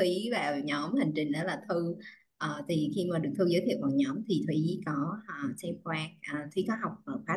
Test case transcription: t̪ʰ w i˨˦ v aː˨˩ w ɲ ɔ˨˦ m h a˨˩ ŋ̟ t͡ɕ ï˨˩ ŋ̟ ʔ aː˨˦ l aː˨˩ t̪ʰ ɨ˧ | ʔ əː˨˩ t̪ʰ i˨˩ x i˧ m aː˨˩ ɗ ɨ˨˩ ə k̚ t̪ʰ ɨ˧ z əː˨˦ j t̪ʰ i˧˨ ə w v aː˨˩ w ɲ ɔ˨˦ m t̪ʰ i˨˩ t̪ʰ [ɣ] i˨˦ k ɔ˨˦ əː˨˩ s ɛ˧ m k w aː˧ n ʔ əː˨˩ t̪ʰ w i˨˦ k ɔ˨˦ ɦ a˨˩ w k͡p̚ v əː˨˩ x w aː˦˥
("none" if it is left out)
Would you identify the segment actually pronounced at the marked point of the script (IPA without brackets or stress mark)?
w